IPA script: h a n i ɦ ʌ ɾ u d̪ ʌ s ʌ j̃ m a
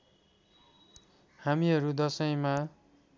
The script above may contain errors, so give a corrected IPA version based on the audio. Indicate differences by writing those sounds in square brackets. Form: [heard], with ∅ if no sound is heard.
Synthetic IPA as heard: h a [m] i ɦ ʌ ɾ u d̪ ʌ s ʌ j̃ m a